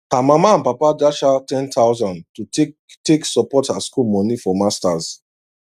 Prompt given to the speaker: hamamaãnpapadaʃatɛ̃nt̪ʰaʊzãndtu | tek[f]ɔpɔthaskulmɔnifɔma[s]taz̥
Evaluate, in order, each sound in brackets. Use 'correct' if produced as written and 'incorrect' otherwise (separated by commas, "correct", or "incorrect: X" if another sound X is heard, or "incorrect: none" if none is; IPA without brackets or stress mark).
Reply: incorrect: s, correct